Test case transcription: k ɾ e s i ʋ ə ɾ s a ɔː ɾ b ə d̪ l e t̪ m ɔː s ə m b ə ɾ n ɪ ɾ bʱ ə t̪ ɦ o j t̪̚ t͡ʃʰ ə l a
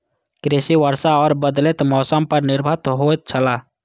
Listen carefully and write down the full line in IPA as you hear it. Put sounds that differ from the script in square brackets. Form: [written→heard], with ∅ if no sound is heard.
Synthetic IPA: k ɾ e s i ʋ ə ɾ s a ɔː ɾ b ə d̪ l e t̪ m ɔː s ə m [b→p] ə ɾ n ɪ ɾ bʱ ə t̪ ɦ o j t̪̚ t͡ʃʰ ə l a